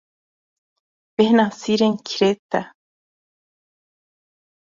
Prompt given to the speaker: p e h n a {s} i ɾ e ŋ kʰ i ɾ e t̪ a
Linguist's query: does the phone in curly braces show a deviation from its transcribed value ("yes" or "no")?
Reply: no